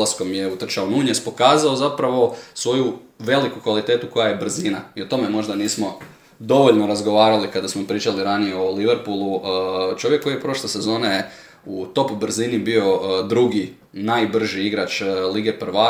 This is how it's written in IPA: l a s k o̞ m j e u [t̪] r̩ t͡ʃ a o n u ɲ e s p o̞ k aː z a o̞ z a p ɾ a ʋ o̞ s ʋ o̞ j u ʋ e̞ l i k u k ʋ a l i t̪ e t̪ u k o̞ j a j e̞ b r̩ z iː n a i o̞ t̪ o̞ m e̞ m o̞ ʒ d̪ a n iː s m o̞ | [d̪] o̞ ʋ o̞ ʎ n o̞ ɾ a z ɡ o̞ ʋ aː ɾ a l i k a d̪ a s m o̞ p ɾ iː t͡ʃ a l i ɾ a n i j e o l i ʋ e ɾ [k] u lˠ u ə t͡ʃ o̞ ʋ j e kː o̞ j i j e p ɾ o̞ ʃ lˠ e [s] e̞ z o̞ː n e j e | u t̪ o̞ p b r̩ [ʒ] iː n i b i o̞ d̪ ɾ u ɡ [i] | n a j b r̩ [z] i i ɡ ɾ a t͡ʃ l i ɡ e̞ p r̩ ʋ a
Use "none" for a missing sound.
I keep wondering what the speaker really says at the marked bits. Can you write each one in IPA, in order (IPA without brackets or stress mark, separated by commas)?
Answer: t̪, d̪, p, s, z, i, ʒ